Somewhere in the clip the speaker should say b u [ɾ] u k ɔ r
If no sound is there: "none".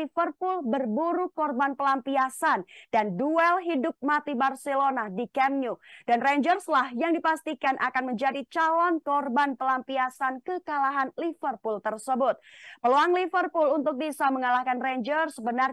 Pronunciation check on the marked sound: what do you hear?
ɾ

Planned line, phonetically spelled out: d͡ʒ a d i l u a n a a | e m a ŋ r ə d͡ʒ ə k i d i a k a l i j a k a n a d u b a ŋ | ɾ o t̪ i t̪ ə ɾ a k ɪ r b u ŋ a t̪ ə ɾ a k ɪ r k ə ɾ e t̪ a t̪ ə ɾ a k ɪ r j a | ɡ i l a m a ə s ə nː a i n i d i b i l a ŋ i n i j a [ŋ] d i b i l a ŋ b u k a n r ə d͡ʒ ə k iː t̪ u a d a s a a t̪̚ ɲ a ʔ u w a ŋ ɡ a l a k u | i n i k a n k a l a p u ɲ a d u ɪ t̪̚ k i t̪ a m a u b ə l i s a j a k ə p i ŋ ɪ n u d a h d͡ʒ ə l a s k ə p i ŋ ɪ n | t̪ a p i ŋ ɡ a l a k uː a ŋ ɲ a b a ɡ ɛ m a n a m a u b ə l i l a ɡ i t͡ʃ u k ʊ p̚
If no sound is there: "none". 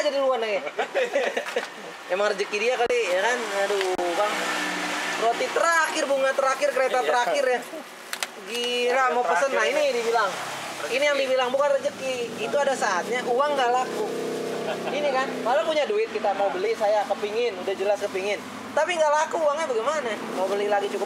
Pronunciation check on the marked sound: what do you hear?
ŋ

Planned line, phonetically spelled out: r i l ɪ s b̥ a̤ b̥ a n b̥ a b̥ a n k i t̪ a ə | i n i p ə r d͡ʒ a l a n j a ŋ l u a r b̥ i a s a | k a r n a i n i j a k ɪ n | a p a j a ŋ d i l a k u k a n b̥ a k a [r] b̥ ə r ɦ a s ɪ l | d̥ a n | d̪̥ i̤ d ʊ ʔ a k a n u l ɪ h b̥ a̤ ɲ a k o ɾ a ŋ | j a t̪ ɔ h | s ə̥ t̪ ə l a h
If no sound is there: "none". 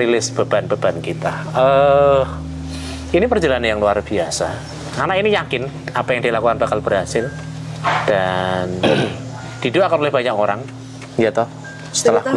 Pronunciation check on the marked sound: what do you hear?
l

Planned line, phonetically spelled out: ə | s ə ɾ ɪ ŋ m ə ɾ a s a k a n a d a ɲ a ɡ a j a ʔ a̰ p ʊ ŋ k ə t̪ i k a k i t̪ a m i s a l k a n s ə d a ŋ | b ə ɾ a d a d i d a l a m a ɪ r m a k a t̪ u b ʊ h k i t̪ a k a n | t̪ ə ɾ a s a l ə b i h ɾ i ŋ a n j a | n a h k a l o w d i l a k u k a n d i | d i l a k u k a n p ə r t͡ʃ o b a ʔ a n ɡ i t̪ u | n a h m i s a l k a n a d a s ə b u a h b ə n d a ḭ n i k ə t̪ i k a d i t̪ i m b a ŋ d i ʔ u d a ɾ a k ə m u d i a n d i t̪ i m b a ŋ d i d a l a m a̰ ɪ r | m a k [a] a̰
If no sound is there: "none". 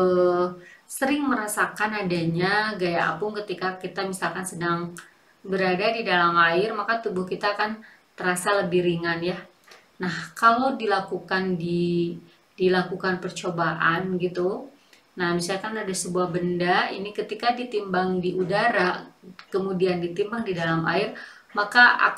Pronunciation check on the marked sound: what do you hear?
a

